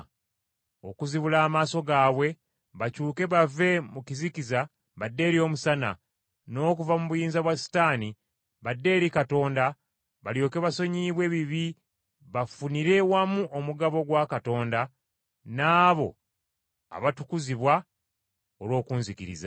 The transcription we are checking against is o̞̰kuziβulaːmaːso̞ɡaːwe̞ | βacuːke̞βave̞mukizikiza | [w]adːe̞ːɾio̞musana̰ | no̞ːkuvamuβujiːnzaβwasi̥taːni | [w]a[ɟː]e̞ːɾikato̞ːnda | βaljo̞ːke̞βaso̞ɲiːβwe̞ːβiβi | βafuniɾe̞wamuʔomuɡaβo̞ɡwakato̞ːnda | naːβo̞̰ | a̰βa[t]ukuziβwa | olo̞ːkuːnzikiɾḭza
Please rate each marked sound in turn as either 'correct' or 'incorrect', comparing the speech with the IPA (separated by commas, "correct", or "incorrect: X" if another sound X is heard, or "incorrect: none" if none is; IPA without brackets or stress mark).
incorrect: β, incorrect: β, incorrect: dː, correct